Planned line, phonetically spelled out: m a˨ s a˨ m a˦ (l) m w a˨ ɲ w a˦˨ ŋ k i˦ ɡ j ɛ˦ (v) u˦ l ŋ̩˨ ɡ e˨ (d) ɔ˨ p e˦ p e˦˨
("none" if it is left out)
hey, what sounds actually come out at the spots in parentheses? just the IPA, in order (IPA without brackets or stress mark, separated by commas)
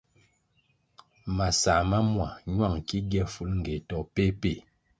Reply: none, f, t